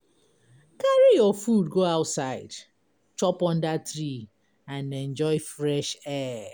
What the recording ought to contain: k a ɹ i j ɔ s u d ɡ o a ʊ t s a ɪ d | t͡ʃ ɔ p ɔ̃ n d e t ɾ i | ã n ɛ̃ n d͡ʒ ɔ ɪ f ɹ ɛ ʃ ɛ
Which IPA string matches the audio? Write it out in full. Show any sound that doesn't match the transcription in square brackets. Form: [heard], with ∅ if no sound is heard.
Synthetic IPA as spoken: k a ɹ i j ɔ [f] u d ɡ o a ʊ t s a ɪ d | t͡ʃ ɔ p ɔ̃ n d [a] t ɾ i | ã n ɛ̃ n d͡ʒ ɔ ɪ f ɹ ɛ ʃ ɛ

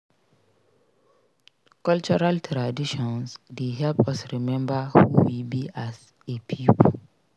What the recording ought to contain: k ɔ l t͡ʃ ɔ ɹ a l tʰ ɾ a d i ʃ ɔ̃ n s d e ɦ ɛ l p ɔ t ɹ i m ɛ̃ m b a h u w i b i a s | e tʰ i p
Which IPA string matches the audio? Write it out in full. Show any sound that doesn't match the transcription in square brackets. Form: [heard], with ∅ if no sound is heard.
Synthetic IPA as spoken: k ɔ l t͡ʃ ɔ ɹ a l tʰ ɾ a d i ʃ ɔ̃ n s d e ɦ ɛ l p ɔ [s] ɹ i m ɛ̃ m b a h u w i b i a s | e [pʰ] i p

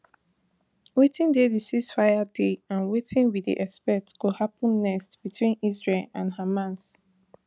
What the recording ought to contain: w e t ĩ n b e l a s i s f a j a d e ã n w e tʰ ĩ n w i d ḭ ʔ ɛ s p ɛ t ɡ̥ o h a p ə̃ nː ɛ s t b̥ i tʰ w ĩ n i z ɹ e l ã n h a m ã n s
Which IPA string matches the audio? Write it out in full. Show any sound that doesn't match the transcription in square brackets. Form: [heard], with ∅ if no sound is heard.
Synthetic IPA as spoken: w e t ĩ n [d] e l [i] s i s f a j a d e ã n w e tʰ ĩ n w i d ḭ ʔ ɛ s p ɛ t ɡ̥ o h a p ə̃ nː ɛ s t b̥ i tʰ w ĩ n i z ɹ e l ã n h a m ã n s

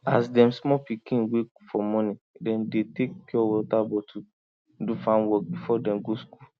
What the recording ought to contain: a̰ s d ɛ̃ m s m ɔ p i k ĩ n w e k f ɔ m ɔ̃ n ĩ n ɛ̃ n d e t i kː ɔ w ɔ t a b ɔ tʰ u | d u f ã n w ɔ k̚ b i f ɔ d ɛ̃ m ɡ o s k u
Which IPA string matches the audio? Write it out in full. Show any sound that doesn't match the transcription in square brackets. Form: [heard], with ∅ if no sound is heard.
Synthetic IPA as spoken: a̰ s d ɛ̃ m s m ɔ p i k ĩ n w e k f ɔ m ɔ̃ n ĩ [d] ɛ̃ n d e t [e] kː ɔ w ɔ t a b ɔ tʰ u | d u f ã n w ɔ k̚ b i f ɔ d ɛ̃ m ɡ o s k u

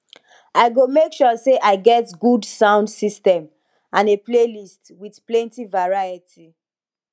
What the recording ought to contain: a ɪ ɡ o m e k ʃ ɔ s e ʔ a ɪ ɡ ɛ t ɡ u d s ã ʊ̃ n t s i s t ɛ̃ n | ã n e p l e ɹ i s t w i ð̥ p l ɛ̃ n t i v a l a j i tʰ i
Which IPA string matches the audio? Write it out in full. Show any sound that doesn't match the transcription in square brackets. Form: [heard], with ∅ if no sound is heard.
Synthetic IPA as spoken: a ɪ ɡ o m e k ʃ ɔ s e ʔ a ɪ ɡ ɛ t ɡ u d s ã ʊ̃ n [d] s i s t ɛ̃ [m] | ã n e p l e [l] i s t w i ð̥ p l ɛ̃ n t i v a [ɹ] a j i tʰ i

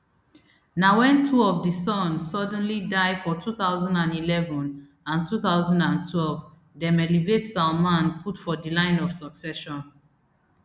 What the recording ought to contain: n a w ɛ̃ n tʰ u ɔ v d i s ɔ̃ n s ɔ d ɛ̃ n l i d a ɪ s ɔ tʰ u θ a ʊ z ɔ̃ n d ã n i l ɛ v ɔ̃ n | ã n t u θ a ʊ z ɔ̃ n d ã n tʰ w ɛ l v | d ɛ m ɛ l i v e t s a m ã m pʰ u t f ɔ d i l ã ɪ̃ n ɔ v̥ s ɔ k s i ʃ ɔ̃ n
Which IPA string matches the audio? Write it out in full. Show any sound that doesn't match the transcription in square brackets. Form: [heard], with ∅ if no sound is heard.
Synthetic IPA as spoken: n a w ɛ̃ n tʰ u ɔ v d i s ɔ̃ n s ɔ d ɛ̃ n l i d a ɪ [f] ɔ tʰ u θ a ʊ z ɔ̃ n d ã n i l ɛ v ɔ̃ n | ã n t u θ a ʊ z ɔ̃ n d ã n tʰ w ɛ l v | d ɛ m ɛ l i v e t s a m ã [n] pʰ u t f ɔ d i l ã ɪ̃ n ɔ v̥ s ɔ k s [ɛ] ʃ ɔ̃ n

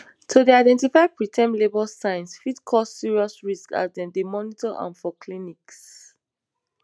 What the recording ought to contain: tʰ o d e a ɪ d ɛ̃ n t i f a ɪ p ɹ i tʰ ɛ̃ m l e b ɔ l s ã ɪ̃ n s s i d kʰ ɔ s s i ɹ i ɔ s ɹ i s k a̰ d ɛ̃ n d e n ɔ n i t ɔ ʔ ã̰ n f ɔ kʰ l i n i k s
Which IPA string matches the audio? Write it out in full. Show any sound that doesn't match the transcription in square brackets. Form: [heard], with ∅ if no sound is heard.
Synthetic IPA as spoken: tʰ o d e a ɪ d ɛ̃ n t i f a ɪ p ɹ i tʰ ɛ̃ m l e b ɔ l s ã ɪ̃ n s [f] i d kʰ ɔ s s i ɹ i ɔ s ɹ i s k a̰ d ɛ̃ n d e [m] ɔ n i t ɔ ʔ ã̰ n f ɔ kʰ l i n i k s

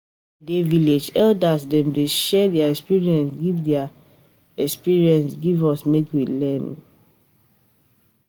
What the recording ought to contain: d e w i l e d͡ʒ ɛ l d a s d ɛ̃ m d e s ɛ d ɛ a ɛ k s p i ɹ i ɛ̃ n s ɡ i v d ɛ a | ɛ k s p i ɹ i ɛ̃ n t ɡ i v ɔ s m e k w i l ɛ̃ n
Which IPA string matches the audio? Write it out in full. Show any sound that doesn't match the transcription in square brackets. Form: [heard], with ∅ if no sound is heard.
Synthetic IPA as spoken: d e [v] i l e d͡ʒ ɛ l d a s d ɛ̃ m d e [ʃ] ɛ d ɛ a ɛ k s p i ɹ i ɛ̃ n s ɡ i v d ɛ a | ɛ k s p i ɹ i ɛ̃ n [s] ɡ i v ɔ s m e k w i l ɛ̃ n

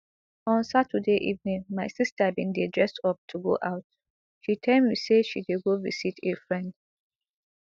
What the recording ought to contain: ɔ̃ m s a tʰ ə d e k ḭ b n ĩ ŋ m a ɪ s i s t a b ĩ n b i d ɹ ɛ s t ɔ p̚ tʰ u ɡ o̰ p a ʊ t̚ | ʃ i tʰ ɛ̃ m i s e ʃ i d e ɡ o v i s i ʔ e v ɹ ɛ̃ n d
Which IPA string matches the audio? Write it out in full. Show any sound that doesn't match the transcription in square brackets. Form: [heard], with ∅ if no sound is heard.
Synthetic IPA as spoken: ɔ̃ [n] s a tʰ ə d e [ʔ] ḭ [v] n ĩ ŋ m a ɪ s i s t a b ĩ n [d] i d ɹ ɛ s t ɔ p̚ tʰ u ɡ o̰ [ʔ] a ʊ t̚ | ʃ i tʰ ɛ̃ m i s e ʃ i d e ɡ o v i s i [t] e [f] ɹ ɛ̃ n d

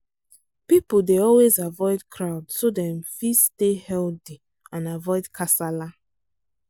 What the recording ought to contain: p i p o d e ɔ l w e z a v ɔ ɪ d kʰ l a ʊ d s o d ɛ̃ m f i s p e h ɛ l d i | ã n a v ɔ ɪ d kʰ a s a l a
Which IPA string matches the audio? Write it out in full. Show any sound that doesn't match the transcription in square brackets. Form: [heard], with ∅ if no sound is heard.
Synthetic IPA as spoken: p i p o d e ɔ l w e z a v ɔ ɪ d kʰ [ɹ] a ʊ d s o d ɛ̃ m f i s [t] e h ɛ l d i | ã n a v ɔ ɪ d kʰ a s a l a

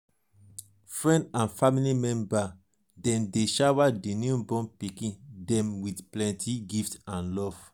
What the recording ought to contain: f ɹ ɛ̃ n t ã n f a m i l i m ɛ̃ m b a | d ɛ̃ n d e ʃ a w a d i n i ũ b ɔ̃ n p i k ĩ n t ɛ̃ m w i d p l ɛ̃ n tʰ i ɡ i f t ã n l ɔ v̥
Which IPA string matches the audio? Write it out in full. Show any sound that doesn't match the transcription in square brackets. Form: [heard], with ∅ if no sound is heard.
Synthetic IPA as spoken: f ɹ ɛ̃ n [d] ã n f a m i l i m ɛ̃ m b a | d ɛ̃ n d e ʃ a w a d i n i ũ b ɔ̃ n p i k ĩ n [d] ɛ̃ m w i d p l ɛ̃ n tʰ i ɡ i f t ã n l ɔ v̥

